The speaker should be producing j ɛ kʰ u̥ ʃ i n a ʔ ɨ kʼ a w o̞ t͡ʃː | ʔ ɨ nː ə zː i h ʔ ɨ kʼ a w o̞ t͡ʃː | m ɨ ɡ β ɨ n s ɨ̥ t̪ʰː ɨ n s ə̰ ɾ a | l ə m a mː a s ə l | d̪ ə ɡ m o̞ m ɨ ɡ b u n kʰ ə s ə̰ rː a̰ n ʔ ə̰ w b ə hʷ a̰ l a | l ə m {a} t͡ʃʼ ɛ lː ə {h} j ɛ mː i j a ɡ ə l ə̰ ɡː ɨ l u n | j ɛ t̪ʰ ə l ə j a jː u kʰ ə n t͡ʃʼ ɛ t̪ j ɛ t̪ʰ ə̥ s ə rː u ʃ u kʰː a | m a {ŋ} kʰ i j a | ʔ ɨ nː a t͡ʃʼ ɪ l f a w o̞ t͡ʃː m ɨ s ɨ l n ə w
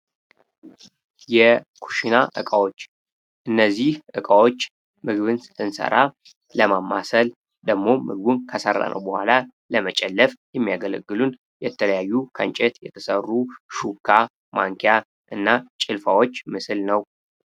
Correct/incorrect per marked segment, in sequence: incorrect, incorrect, correct

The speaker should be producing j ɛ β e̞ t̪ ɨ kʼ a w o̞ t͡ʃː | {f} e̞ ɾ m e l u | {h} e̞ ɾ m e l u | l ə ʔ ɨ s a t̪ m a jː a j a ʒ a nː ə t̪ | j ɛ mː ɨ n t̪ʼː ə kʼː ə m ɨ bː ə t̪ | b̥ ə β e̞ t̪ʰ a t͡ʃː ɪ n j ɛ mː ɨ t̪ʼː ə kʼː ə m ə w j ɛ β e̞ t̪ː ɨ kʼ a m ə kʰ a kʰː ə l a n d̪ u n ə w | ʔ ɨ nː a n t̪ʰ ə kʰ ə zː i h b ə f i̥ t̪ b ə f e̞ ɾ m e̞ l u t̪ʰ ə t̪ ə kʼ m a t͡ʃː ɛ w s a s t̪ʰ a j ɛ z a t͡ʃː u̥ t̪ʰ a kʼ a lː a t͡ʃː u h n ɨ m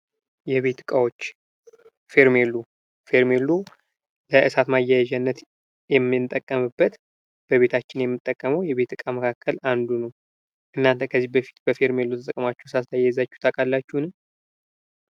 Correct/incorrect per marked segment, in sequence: correct, incorrect

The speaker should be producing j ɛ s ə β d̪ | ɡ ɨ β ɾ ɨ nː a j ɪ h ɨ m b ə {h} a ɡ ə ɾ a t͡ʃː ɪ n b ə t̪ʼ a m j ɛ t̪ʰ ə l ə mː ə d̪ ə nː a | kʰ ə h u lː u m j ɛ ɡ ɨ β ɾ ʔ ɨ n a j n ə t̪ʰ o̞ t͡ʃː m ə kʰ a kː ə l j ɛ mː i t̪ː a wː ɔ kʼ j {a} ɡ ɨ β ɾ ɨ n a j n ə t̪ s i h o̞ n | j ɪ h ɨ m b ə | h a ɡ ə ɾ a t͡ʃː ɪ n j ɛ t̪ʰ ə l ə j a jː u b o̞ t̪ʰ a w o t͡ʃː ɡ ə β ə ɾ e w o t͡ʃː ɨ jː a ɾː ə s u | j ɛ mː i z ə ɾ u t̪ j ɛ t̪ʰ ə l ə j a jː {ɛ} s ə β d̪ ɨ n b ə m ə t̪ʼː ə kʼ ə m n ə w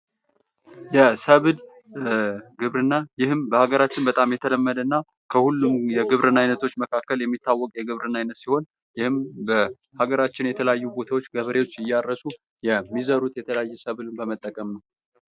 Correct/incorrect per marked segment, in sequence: correct, incorrect, correct

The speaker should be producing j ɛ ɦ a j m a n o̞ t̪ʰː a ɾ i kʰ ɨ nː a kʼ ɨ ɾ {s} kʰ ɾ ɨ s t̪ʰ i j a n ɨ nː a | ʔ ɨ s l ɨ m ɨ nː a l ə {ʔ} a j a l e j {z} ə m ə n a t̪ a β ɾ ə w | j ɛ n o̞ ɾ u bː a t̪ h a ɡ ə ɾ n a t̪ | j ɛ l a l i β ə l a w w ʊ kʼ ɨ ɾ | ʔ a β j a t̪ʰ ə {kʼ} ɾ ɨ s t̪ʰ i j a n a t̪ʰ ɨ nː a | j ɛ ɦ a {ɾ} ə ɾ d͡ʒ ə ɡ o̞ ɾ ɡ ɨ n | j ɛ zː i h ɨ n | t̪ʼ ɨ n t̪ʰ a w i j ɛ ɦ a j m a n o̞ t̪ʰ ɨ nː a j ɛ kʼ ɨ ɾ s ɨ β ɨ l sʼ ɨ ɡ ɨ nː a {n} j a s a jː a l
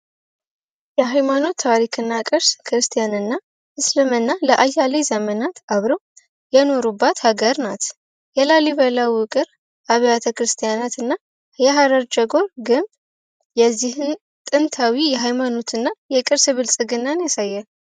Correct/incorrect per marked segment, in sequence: correct, correct, correct, incorrect, correct, correct

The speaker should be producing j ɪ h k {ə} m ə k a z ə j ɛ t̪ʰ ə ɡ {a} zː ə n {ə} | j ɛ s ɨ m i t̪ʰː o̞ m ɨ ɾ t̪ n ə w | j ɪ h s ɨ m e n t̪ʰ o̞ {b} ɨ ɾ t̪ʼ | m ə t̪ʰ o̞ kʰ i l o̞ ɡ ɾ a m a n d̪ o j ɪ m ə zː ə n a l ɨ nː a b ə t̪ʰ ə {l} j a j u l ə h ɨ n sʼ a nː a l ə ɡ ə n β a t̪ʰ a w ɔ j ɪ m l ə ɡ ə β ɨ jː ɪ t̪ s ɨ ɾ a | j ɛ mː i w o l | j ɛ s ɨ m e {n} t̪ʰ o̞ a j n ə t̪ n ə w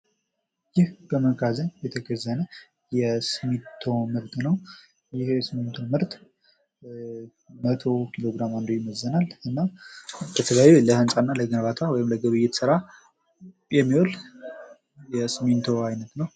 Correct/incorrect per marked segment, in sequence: correct, incorrect, correct, incorrect, correct, correct

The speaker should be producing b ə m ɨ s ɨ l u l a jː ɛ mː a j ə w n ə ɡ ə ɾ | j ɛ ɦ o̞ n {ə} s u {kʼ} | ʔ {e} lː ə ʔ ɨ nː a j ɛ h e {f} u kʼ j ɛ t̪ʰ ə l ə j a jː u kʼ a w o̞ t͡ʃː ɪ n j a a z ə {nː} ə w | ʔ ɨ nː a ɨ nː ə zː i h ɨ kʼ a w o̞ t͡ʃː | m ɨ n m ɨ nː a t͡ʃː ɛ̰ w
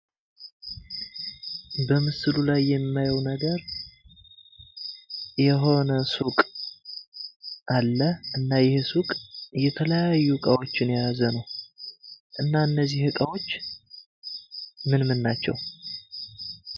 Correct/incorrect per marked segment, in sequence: correct, correct, incorrect, incorrect, incorrect

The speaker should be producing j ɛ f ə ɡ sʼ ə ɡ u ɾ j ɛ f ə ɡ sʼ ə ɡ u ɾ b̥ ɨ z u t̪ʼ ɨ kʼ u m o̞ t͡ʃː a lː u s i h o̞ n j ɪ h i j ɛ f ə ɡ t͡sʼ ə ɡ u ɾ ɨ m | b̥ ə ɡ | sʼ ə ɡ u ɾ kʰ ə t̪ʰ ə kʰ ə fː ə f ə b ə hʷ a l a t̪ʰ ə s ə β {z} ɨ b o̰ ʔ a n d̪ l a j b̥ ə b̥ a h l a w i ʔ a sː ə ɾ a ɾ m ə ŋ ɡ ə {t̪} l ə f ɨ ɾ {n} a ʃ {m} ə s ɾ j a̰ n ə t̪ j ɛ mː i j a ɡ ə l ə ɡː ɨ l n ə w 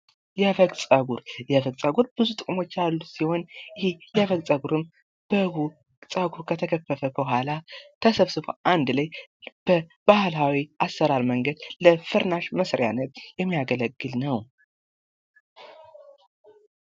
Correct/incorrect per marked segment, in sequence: incorrect, incorrect, correct, correct

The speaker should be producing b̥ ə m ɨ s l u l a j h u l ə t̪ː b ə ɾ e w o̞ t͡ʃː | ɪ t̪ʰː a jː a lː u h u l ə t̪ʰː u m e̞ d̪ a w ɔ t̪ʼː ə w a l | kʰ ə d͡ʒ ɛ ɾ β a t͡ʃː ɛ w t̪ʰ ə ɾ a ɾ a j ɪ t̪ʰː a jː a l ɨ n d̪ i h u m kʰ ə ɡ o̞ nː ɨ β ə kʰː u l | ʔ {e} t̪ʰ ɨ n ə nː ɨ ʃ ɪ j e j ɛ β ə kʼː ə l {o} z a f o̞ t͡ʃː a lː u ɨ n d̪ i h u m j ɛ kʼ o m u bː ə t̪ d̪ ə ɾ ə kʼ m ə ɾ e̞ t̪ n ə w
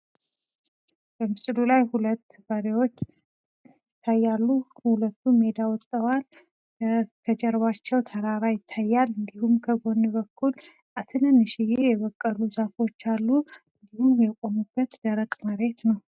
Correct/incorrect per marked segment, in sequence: incorrect, incorrect

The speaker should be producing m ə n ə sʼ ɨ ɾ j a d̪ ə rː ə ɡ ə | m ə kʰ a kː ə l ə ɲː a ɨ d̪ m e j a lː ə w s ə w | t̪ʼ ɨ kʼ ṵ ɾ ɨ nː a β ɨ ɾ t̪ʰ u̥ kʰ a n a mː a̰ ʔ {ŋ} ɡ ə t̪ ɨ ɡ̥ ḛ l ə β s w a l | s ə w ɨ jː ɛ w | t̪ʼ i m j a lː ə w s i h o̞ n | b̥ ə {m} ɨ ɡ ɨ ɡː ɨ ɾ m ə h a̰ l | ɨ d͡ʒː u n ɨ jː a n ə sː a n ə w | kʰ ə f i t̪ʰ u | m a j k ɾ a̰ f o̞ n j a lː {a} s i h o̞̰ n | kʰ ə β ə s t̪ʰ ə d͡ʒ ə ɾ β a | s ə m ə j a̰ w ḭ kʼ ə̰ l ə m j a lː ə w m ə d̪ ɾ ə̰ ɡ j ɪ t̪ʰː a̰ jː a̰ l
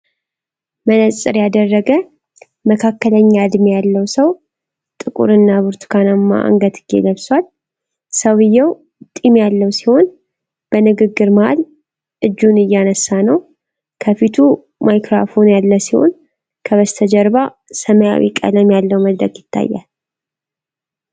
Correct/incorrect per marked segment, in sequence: correct, incorrect, incorrect

